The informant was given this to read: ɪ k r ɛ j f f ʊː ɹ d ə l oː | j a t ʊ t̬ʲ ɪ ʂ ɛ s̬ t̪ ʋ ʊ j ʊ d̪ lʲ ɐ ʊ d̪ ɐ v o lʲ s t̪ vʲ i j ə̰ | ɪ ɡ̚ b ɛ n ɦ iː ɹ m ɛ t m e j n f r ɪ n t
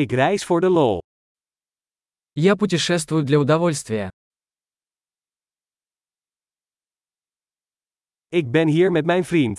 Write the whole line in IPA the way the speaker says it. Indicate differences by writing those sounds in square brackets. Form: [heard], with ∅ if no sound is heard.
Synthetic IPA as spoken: ɪ k r ɛ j [s] f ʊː ɹ d ə l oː | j a [p] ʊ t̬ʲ ɪ ʂ ɛ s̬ t̪ [v] ʊ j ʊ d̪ lʲ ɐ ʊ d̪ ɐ v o lʲ s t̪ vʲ [ɪ] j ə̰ | ɪ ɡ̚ b ɛ n ɦ iː ɹ m ɛ t m [ɛ] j n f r [i] n t